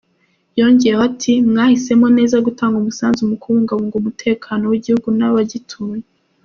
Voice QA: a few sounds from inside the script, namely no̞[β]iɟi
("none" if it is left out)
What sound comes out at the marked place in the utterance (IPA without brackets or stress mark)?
w